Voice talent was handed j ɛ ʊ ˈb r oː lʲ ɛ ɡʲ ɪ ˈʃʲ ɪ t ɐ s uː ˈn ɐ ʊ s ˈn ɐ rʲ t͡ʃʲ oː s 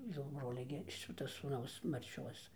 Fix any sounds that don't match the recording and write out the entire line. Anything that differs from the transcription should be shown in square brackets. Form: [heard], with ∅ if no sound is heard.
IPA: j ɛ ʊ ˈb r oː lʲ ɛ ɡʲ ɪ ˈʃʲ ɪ t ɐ s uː ˈn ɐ ʊ s [ˈm] ɐ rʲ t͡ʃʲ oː s